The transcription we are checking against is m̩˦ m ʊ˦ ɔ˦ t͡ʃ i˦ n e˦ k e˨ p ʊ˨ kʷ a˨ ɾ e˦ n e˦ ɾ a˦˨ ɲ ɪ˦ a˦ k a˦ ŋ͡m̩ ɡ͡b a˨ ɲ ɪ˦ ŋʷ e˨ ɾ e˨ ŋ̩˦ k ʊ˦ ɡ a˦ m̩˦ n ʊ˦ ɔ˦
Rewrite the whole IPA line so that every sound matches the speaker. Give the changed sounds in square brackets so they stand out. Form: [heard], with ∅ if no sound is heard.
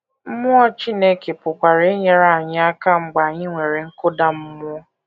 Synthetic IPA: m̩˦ m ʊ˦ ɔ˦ t͡ʃ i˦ n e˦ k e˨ p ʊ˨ kʷ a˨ ɾ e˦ [ɲ] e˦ ɾ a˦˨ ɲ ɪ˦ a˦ k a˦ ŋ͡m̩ ɡ͡b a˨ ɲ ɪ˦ ŋʷ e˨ ɾ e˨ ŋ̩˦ k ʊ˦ [d] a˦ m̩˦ [m] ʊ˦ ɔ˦